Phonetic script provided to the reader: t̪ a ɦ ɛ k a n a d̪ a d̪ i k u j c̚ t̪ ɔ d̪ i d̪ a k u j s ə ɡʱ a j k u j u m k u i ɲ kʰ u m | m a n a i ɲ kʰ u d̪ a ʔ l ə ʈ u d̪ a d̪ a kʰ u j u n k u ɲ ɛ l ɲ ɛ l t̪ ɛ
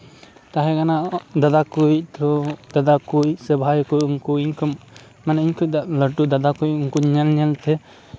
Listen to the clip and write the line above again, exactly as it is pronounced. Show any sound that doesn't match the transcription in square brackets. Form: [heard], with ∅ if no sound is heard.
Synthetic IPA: t̪ a ɦ ɛ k a n a d̪ a d̪ [a] k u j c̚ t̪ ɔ d̪ [a] d̪ a k u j s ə [bʱ] a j k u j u [ŋ] k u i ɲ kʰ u m | m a n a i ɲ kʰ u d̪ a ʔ l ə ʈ u d̪ a d̪ a [k] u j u [ŋ] k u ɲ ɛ l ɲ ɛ l t̪ ɛ